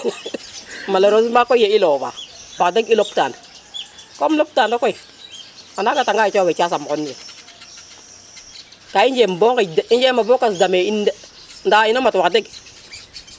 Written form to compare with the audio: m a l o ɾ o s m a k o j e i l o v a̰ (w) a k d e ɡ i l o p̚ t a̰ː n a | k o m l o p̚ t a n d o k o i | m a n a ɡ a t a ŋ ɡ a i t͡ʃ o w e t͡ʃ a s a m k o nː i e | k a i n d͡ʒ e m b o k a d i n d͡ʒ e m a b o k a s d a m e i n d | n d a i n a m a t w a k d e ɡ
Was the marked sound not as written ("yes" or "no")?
no